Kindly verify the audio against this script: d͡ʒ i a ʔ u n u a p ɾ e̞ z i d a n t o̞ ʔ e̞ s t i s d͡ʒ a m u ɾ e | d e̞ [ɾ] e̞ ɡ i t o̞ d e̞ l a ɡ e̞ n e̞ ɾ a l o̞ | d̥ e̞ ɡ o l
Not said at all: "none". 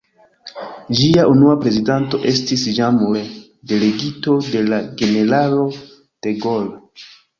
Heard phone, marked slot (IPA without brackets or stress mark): l